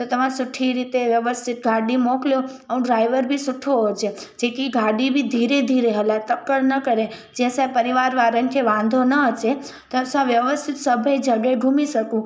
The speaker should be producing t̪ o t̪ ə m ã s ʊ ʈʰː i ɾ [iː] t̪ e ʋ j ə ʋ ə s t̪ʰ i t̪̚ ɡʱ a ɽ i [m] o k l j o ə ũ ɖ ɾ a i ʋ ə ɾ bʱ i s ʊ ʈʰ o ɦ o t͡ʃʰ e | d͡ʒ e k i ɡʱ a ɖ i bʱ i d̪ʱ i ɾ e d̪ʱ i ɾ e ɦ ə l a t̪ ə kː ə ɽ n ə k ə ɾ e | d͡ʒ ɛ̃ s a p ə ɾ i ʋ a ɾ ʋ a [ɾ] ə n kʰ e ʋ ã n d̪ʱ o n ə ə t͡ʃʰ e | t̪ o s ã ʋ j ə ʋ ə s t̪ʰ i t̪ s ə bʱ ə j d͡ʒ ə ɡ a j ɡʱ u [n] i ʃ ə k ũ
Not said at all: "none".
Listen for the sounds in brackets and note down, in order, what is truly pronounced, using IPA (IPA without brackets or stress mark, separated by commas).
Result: i, m, ɾ, m